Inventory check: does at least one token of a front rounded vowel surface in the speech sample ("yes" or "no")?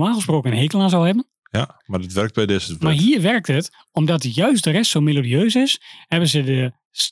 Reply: yes